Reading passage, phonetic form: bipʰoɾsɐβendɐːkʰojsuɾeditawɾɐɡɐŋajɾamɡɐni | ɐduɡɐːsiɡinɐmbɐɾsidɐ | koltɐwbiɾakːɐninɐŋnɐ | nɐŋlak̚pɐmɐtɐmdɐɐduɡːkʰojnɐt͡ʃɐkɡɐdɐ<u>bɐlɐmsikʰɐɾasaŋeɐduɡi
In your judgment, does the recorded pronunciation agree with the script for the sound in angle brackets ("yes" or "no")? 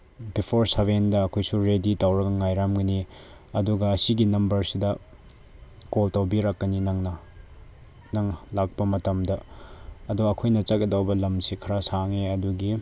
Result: no